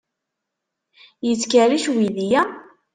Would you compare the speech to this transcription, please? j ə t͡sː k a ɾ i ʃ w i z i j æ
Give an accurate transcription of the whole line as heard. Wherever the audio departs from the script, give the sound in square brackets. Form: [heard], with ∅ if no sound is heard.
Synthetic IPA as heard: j ə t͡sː k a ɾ i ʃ w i [ð] i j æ